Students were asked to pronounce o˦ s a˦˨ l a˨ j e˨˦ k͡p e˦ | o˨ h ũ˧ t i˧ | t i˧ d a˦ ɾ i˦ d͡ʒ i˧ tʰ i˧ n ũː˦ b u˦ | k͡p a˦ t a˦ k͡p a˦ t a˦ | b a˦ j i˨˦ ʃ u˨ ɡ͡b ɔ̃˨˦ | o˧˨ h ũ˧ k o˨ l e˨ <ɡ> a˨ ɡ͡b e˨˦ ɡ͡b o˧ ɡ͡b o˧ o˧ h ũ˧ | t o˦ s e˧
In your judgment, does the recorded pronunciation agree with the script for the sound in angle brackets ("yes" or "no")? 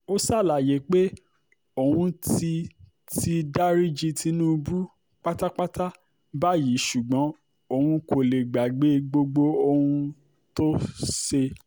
no